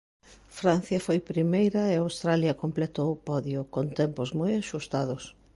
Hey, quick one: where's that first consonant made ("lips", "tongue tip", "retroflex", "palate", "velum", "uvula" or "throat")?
lips